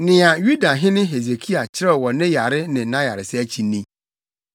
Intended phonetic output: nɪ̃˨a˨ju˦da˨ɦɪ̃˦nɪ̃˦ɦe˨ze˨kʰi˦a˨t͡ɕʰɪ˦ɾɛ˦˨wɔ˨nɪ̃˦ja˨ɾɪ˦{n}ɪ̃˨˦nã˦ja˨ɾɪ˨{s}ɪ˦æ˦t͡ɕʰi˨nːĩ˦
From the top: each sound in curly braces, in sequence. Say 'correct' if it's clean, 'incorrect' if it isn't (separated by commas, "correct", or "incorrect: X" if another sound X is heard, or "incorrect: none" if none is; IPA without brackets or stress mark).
correct, correct